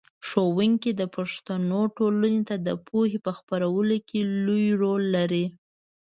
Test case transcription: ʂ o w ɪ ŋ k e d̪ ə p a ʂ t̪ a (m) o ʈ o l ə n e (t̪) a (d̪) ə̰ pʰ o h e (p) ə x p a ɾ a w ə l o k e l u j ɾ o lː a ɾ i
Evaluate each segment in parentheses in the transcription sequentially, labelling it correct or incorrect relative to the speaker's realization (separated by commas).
incorrect, correct, correct, correct